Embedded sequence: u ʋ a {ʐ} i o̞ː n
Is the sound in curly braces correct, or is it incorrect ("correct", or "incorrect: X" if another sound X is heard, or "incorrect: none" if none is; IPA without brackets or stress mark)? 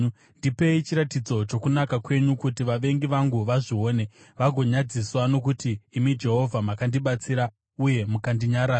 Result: correct